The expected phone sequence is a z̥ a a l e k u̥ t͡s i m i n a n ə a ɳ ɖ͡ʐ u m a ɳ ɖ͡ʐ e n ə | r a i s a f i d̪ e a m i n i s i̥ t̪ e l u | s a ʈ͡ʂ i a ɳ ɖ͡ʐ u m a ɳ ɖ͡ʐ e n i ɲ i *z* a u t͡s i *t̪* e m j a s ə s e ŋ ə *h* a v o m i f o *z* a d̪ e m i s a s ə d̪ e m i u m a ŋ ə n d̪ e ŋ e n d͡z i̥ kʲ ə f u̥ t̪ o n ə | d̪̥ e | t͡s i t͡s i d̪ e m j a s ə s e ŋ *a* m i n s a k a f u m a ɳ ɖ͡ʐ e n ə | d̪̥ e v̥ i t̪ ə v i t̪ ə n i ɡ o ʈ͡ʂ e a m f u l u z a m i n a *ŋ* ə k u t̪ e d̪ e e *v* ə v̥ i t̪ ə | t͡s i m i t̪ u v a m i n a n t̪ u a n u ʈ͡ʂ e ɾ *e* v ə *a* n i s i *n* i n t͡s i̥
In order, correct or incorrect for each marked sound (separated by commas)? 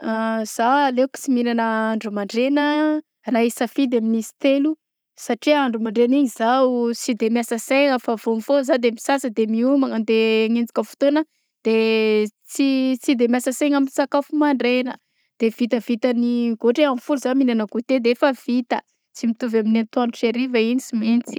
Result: correct, incorrect, incorrect, correct, correct, incorrect, incorrect, incorrect, incorrect, incorrect